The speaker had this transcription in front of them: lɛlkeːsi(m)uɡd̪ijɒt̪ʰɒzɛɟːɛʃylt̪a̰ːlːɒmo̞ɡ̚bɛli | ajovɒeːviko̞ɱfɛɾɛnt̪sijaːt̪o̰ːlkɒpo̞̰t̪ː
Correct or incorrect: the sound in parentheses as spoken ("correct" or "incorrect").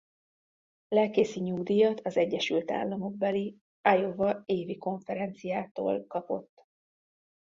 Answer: incorrect